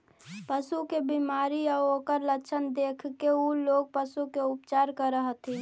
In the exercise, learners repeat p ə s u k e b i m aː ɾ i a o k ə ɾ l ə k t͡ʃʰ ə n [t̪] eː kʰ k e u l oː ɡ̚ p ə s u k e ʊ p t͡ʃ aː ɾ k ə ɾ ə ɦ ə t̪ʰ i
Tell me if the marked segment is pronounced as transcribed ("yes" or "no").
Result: no